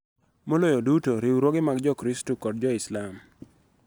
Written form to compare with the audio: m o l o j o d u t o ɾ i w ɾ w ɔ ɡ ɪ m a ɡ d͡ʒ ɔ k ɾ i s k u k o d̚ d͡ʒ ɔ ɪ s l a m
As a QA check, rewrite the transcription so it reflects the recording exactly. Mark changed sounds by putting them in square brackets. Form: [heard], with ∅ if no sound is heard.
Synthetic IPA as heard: m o l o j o d u t o ɾ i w ɾ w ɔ ɡ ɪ m a ɡ d͡ʒ ɔ k ɾ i s [t] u k [ɔ] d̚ d͡ʒ ɔ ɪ s l a m